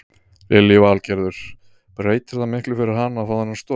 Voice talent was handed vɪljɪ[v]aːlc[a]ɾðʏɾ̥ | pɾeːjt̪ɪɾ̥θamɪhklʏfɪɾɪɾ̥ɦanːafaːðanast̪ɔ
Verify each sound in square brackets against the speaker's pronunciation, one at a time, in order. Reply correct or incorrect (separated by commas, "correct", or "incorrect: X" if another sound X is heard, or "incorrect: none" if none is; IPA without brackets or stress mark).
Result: correct, incorrect: ɛ